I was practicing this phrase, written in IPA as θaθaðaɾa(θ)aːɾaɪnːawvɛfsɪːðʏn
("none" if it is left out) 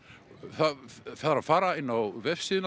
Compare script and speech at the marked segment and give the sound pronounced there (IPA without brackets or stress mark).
f